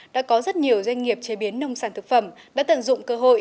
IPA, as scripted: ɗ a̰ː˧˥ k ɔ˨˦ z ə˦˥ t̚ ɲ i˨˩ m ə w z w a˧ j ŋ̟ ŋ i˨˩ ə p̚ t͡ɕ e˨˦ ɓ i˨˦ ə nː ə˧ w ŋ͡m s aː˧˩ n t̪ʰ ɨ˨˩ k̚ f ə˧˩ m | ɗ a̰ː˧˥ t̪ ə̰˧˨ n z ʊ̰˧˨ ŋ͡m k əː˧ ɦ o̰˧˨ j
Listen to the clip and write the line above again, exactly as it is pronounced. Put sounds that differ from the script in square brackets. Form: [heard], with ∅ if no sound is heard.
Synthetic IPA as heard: ɗ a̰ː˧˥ k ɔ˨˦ z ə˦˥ t̚ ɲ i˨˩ [∅] ə w z w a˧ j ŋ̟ ŋ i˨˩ ə p̚ t͡ɕ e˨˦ ɓ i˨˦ ə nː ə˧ w ŋ͡m s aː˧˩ n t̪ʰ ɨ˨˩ k̚ f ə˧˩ m | ɗ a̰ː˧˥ t̪ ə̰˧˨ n z ʊ̰˧˨ ŋ͡m k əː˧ ɦ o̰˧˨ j

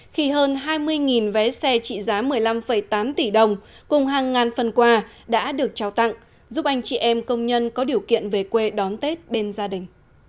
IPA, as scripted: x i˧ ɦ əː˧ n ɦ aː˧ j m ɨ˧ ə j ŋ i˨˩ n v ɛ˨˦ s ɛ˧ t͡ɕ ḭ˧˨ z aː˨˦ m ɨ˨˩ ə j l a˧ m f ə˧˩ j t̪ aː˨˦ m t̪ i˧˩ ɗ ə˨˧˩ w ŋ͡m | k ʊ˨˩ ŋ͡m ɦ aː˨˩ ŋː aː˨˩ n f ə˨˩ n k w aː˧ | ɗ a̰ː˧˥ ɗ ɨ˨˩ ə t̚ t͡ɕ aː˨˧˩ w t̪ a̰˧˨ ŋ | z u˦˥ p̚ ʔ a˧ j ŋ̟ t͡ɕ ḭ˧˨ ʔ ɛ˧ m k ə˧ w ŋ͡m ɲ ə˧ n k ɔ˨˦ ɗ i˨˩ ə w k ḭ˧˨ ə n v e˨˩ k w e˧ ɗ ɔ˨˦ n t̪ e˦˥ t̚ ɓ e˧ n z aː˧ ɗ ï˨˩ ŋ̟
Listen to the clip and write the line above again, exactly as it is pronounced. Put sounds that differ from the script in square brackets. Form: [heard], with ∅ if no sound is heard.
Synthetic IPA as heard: x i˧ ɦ əː˧ n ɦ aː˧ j m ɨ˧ ə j ŋ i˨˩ n v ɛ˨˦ s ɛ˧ t͡ɕ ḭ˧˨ z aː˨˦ m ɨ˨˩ ə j l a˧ m f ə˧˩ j t̪ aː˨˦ m t̪ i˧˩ ɗ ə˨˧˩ w ŋ͡m | k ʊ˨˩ ŋ͡m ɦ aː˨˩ ŋː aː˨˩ n f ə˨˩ n k w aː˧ | ɗ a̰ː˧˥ ɗ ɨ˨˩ ə [k̚] t͡ɕ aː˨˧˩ w t̪ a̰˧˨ ŋ | z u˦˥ p̚ ʔ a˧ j ŋ̟ t͡ɕ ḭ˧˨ ʔ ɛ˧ m k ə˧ w ŋ͡m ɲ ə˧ n k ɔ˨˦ ɗ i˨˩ ə w k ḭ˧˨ ə n v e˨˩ k w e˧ ɗ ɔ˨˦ n t̪ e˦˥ t̚ ɓ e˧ n z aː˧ ɗ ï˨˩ ŋ̟

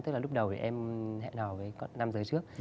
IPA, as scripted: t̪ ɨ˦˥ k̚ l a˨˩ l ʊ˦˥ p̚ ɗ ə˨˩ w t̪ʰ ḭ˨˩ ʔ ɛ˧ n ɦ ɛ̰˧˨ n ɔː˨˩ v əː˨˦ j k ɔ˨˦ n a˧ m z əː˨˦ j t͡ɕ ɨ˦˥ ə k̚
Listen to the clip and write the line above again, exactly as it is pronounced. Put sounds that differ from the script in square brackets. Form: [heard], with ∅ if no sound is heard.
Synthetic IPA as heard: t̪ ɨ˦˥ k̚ l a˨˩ l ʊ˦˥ [k͡p̚] ɗ ə˨˩ w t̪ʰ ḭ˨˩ ʔ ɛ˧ [m] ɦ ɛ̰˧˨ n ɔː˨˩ v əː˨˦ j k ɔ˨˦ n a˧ m z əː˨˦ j t͡ɕ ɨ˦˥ ə k̚

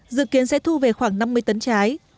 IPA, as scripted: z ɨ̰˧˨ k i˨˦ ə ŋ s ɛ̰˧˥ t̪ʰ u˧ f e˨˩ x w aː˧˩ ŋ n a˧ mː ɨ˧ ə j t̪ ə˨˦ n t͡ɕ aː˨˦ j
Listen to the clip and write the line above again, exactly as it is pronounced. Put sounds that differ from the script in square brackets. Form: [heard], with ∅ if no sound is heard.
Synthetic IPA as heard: z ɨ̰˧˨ k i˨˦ ə [n] s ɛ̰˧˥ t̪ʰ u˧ [v] e˨˩ x w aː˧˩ ŋ n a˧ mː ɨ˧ ə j t̪ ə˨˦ n t͡ɕ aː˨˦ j

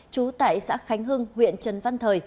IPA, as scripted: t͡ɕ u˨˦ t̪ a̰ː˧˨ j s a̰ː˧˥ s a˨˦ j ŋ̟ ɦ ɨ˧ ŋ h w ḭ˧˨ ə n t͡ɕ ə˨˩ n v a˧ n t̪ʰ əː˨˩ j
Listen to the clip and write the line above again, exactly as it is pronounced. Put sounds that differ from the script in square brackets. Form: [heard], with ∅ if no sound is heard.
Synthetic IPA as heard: t͡ɕ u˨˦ t̪ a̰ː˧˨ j s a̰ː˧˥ [x] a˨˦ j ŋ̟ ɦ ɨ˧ ŋ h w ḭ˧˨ ə n t͡ɕ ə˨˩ n v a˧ n t̪ʰ əː˨˩ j

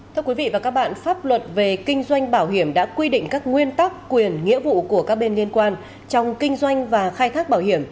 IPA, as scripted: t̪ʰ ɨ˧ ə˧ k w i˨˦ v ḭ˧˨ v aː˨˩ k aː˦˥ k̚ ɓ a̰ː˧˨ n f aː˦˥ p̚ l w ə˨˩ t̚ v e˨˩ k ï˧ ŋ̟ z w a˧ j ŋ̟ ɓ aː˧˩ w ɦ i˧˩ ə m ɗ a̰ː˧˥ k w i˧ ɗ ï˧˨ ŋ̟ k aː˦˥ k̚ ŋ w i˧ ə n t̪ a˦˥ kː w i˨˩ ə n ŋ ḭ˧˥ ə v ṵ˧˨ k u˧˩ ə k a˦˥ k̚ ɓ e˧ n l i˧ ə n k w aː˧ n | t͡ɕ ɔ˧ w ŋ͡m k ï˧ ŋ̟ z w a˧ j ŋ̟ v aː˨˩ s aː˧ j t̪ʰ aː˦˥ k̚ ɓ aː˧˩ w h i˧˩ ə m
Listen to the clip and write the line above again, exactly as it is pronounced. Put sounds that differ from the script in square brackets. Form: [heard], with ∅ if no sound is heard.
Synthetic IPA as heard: t̪ʰ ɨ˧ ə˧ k w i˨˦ v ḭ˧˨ v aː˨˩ k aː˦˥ k̚ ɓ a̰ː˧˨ n f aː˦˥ p̚ l w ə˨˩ t̚ v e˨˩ k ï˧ ŋ̟ z w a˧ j ŋ̟ ɓ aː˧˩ w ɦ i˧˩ ə m ɗ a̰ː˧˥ k w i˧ ɗ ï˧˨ ŋ̟ k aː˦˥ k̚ ŋ w i˧ ə n t̪ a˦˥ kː w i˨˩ ə n ŋ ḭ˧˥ ə v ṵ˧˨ k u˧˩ ə k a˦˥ k̚ ɓ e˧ n l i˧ ə n k w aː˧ n | t͡ɕ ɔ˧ w ŋ͡m k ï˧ ŋ̟ z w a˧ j ŋ̟ v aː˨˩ [x] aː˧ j t̪ʰ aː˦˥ k̚ ɓ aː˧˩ w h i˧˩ ə m

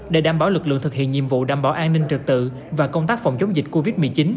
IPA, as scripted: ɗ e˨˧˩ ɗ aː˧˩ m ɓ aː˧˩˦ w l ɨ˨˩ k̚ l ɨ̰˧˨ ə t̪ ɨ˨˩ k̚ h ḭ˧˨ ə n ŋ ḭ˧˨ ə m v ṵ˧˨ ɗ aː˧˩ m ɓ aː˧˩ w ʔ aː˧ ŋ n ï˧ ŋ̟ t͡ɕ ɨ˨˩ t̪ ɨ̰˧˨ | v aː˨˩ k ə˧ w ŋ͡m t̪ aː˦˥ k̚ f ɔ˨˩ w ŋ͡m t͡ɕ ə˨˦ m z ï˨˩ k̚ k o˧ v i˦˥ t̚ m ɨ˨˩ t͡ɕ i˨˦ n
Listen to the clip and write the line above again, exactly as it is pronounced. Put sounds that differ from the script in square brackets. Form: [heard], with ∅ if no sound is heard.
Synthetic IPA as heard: ɗ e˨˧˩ ɗ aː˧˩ m ɓ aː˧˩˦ w l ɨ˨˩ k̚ l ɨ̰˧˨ ə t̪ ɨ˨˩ k̚ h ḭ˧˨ ə n [ɲ] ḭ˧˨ ə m v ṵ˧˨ ɗ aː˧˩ m ɓ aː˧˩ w ʔ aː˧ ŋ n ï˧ ŋ̟ t͡ɕ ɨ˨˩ t̪ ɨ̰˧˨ | v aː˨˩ k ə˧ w ŋ͡m t̪ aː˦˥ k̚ f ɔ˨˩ w ŋ͡m t͡ɕ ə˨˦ [ŋ͡m] z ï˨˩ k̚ k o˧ v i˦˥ t̚ m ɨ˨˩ t͡ɕ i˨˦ n

